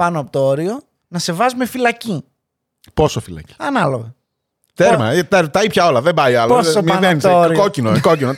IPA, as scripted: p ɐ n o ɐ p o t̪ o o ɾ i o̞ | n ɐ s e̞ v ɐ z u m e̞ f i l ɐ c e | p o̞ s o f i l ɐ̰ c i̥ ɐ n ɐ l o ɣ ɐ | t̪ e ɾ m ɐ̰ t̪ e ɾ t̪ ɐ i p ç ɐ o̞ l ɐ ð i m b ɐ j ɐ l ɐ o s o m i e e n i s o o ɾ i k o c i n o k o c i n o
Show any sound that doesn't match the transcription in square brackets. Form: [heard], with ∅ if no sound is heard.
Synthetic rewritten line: p ɐ n o ɐ p o t̪ o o ɾ i o̞ | n ɐ s e̞ v ɐ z u m e̞ f i l ɐ c [i] | p o̞ s o f i l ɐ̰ c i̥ ɐ n ɐ l o ɣ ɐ | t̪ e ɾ m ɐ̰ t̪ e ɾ t̪ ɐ i p ç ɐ o̞ l ɐ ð [e] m b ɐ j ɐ l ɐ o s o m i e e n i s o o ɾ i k o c i n o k o c i n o